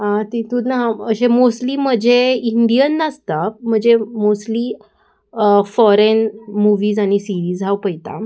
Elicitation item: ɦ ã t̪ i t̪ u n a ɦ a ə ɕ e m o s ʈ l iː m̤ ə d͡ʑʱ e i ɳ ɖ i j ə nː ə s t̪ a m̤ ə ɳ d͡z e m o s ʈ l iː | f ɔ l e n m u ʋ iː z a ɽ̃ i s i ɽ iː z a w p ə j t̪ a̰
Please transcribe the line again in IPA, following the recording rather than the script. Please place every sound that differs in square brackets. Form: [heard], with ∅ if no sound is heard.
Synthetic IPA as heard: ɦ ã t̪ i t̪ u n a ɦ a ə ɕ e m o s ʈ l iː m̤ ə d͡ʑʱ e i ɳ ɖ i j ə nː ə s t̪ a m̤ ə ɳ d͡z e m o s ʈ l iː | f ɔ [ɾ] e n m u ʋ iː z a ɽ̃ i s i [ɾ] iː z a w p ə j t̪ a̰